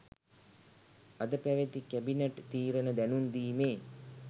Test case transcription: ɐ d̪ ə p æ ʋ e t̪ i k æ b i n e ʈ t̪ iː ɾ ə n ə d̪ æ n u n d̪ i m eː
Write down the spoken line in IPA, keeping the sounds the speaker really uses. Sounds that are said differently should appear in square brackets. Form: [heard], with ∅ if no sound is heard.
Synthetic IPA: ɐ d̪ ə p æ ʋ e t̪ i k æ b i n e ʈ t̪ iː ɾ ə n ə d̪ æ n u n d̪ [iː] m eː